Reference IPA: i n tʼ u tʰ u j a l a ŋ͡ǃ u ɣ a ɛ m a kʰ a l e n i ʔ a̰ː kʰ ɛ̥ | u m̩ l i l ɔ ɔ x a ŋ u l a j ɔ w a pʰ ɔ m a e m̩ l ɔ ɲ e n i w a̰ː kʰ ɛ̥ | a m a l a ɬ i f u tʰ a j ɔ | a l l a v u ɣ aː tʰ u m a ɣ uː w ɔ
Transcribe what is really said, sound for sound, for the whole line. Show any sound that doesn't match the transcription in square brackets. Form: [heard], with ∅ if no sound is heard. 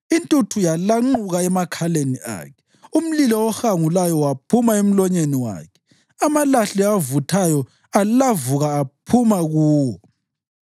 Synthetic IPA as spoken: i n tʼ u tʰ u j a l a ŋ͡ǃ u ɣ a ɛ m a kʰ a l e n i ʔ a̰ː kʰ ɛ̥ | u m̩ l i l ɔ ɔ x a ŋ u l a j ɔ w a pʰ [u] m a e m̩ l ɔ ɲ e n i w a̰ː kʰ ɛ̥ | a m a l a ɬ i [v] u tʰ a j ɔ | a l l a v u ɣ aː [pʰ] u m a ɣ uː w ɔ